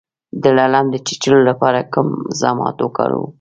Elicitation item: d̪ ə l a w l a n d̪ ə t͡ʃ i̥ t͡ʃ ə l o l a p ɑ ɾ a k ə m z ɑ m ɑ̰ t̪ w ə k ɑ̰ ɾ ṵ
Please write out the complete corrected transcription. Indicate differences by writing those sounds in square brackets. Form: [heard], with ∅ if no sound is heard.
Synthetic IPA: d̪ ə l a [∅] l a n d̪ ə t͡ʃ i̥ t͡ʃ ə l o l a p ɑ ɾ a k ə m z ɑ m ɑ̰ t̪ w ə k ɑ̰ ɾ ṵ